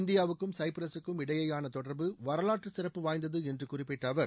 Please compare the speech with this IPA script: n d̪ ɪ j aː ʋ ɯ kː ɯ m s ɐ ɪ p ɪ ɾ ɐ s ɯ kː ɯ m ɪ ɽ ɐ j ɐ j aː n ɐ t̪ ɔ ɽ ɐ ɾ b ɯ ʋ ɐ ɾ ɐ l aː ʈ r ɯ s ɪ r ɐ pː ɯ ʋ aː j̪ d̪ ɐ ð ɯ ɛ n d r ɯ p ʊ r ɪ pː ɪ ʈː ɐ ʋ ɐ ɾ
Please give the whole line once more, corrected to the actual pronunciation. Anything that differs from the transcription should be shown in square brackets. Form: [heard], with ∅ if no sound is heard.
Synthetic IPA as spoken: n d̪ ɪ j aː ʋ ɯ kː ɯ m s ɐ ɪ p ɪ ɾ ɐ s ɯ kː ɯ m ɪ ɽ ɐ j ɐ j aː n ɐ t̪ ɔ ɽ ɐ ɾ b ɯ ʋ ɐ ɾ ɐ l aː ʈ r ɯ s ɪ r ɐ pː ɯ ʋ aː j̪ d̪ ɐ ð ɯ ɛ n d r ɯ [k] ʊ r ɪ pː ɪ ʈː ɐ ʋ ɐ ɾ